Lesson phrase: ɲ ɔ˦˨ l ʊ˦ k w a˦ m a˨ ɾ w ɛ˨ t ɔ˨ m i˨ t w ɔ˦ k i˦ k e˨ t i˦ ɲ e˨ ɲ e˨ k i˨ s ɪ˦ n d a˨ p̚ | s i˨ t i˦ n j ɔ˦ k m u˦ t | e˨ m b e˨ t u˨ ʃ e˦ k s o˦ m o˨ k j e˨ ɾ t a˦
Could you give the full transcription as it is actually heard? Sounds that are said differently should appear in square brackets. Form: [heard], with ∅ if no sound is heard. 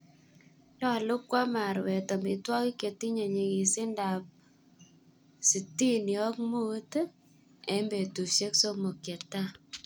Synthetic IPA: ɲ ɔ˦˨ l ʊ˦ k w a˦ m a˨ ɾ w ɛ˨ t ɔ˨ m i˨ t w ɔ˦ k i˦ k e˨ t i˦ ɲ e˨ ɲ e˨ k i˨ s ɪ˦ n d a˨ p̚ | s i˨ t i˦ n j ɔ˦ k m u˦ t | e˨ m b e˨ t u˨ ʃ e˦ k s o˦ m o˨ k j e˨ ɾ t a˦